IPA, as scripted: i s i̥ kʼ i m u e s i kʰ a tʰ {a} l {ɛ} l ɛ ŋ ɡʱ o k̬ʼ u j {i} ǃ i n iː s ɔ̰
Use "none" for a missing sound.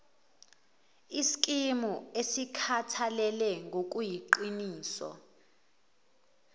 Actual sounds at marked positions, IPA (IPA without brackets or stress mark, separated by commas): a, ɛ, i